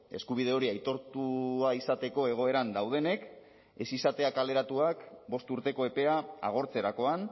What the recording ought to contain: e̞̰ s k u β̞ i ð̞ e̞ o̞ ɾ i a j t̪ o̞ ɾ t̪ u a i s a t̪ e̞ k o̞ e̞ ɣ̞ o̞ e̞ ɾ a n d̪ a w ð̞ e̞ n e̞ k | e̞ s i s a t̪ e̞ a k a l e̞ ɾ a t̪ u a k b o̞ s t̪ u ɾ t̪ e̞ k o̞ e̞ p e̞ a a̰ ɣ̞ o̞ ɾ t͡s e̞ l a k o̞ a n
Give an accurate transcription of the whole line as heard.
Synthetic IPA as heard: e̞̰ s k u β̞ i ð̞ e̞ o̞ ɾ i a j t̪ o̞ ɾ t̪ u a i s a t̪ e̞ k o̞ e̞ ɣ̞ o̞ e̞ ɾ a n d̪ a w ð̞ e̞ n e̞ k | e̞ s i s a t̪ e̞ a k a l e̞ ɾ a t̪ u a k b o̞ s t̪ u ɾ t̪ e̞ k o̞ e̞ p e̞ a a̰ ɣ̞ o̞ ɾ t͡s e̞ ɾ a k o̞ a n

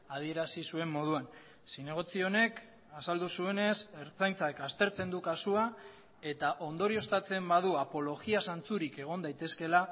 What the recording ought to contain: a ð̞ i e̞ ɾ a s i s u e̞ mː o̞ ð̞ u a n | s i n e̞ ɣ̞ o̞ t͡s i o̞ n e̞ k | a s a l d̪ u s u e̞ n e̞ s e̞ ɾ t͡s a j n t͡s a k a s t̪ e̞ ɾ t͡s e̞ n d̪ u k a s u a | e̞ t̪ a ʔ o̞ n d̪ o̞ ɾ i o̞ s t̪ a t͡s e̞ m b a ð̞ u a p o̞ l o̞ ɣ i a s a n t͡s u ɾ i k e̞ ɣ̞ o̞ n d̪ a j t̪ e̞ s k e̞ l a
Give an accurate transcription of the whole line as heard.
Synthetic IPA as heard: a ð̞ i e̞ ɾ a s i s u e̞ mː o̞ ð̞ u a n | s i n e̞ ɣ̞ o̞ t͡s i o̞ n e̞ k | a s a l d̪ u s u e̞ n e̞ s e̞ ɾ t͡s a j n t͡s a k a s t̪ e̞ ɾ t͡s e̞ n d̪ u k a s u a | e̞ t̪ a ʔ o̞ n d̪ o̞ ɾ i o̞ s t̪ a t͡s e̞ m b a ð̞ u a p o̞ l o̞ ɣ i a s a n t͡s u ɾ i k e̞ ɣ̞ o̞ n d̪ a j t̪ e̞ s k e̞ l a

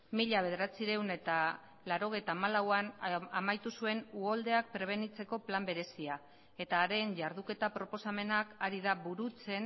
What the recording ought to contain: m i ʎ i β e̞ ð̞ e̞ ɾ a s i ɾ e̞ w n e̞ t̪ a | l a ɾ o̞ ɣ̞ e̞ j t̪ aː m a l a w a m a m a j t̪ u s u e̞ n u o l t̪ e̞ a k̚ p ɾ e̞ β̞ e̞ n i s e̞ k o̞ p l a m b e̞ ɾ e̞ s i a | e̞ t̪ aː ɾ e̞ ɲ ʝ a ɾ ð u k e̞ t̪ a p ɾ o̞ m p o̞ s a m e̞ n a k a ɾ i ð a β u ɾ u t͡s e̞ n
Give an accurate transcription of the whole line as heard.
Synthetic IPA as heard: m i ʎ a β e̞ ð̞ e̞ ɾ a t͡s i ɾ e̞ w n e̞ t̪ a | l a ɾ o̞ ɣ̞ e̞ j t̪ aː m a l a w a n a m a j t̪ u s u e̞ n u o l d̪ e̞ a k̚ p ɾ e̞ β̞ e̞ n i t͡s e̞ k o̞ p l a m b e̞ ɾ e̞ s i a | e̞ t̪ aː ɾ e̞ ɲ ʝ a ɾ ð u k e̞ t̪ a p ɾ o̞ p o̞ s a m e̞ n a k a ɾ i ð a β u ɾ u t͡s e̞ n

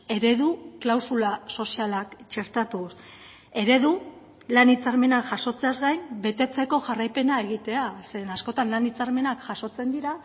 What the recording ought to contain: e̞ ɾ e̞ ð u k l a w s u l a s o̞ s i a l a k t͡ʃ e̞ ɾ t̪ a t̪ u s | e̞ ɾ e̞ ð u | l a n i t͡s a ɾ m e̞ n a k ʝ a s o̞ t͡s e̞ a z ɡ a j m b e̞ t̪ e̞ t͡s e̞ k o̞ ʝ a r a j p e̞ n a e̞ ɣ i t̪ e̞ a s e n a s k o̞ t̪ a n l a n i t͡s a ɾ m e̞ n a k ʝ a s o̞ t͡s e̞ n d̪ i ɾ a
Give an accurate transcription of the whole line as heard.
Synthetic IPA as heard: e̞ ɾ e̞ ð u k l a w s u l a s o̞ s i a l a k t͡ʃ e̞ ɾ t̪ a t̪ u s | e̞ ɾ e̞ ð u | l a n i t͡s a ɾ m e̞ n a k ʝ a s o̞ t͡s e̞ a z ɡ a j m b e̞ t̪ e̞ t͡s e̞ k o̞ ʝ a r a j p e̞ n a e̞ ɣ i t̪ e̞ a s e n a s k o̞ t̪ a n l a n i t͡s a ɾ m e̞ n a k ʝ a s o̞ t͡s e̞ n d̪ i ɾ a

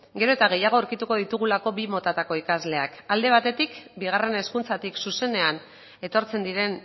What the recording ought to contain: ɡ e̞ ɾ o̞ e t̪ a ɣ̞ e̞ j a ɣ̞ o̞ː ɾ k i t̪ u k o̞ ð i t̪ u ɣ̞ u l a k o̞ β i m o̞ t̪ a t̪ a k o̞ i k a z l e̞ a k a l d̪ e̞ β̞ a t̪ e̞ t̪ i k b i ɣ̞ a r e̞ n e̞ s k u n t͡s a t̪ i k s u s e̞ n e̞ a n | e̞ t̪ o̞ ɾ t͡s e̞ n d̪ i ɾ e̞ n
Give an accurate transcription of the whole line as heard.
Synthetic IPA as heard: ɡ e̞ ɾ o̞ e t̪ a ɣ̞ e̞ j a ɣ̞ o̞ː ɾ k i t̪ u k o̞ ð i t̪ u ɣ̞ u l a k o̞ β i m o̞ t̪ a t̪ a k o̞ i k a z l e̞ a k a l d̪ e̞ β̞ a t̪ e̞ t̪ i k b i ɣ̞ a r e̞ n e̞ s k u n t͡s a t̪ i k s u s e̞ n e̞ a n | e̞ t̪ o̞ ɾ t͡s e̞ n d̪ i ɾ e̞ n

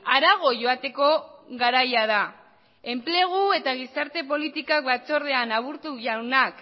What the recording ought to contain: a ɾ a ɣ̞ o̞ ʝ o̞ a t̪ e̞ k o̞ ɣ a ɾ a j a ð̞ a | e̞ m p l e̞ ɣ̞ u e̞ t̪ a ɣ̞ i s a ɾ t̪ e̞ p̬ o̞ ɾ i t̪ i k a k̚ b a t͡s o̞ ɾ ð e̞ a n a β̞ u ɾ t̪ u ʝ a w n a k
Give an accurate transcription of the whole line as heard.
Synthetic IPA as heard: a ɾ a ɣ̞ o̞ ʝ o̞ a t̪ e̞ k o̞ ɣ a ɾ a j a ð̞ a | e̞ m p l e̞ ɣ̞ u e̞ t̪ a ɣ̞ i s a ɾ t̪ e̞ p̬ o̞ l i t̪ i k a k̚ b a t͡s o̞ ɾ ð e̞ a n a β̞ u ɾ t̪ u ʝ a w n a k

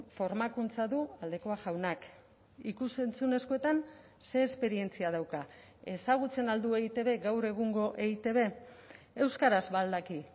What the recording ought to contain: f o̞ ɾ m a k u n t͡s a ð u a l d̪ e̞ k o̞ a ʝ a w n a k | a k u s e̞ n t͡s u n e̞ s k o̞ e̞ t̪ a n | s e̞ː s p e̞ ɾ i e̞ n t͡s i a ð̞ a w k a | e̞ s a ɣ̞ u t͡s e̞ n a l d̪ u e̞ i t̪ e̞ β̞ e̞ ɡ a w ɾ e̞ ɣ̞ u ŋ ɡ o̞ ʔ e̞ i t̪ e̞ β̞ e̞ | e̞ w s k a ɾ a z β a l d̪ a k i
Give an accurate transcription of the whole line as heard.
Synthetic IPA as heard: f o̞ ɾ m a k u n t͡s a ð u a l d̪ e̞ k o̞ a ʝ a w n a k | i k u s e̞ n t͡s u n e̞ s k o̞ e̞ t̪ a n | s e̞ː s p e̞ ɾ i e̞ n t͡s i a ð̞ a w k a | e̞ s a ɣ̞ u t͡s e̞ n a l d̪ u e̞ i t̪ e̞ β̞ e̞ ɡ a w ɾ e̞ ɣ̞ u ŋ ɡ o̞ ʔ e̞ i t̪ e̞ β̞ e̞ | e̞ w s k a ɾ a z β a l d̪ a k i

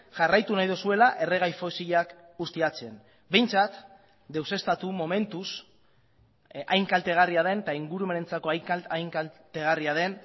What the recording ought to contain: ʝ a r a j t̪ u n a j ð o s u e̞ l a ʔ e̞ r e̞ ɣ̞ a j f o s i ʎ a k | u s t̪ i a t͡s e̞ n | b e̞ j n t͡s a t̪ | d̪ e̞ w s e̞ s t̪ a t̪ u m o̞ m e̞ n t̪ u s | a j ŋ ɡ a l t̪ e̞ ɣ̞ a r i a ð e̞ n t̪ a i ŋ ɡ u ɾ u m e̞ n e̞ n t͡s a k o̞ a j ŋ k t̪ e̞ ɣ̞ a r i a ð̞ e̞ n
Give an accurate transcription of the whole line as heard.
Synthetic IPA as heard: ʝ a r a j t̪ u n a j ð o s u e̞ l a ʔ e̞ r e̞ ɣ̞ a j f o s i ʎ a k | u s t̪ i a t͡s e̞ n | b e̞ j n t͡s a t̪ | d̪ e̞ w s e̞ s t̪ a t̪ u m o̞ m e̞ n t̪ u s | a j ŋ k a l t̪ e̞ ɣ̞ a r i a ð e̞ n t̪ a i ŋ ɡ u ɾ u m e̞ n e̞ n t͡s a k o̞ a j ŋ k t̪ e̞ ɣ̞ a r i a ð̞ e̞ n

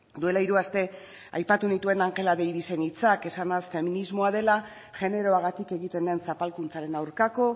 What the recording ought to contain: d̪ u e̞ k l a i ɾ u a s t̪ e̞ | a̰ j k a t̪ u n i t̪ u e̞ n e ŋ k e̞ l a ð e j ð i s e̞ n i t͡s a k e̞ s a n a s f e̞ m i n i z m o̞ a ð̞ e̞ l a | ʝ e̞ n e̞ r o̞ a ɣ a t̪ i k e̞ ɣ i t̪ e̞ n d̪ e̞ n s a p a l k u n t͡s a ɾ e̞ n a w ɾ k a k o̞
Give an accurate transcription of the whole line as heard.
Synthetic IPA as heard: d̪ u e̞ l a i ɾ u a s t̪ e̞ | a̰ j p a t̪ u n i t̪ u e̞ n a ŋ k e̞ l a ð e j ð i s e̞ n i t͡s a k e̞ s a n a s f e̞ m i n i z m o̞ a ð̞ e̞ l a | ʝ e̞ n e̞ ɾ o̞ a ɣ a t̪ i k e̞ ɣ i t̪ e̞ n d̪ e̞ n s a p a l k u n t͡s a ɾ e̞ n a w ɾ k a k o̞

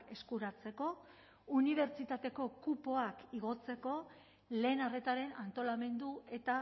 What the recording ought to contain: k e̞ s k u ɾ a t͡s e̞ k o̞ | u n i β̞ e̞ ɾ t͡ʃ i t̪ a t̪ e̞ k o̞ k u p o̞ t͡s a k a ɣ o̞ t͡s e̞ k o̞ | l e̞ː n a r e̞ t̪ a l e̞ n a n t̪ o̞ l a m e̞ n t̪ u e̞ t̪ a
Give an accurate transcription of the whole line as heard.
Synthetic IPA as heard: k e̞ s k u ɾ a t͡s e̞ k o̞ | u n i β̞ e̞ ɾ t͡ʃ i t̪ a t̪ e̞ k o̞ k u p o̞ a k i ɣ o̞ t͡s e̞ k o̞ | l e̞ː n a r e̞ t̪ a ɾ e̞ n a n t̪ o̞ l a m e̞ n d̪ u e̞ t̪ a

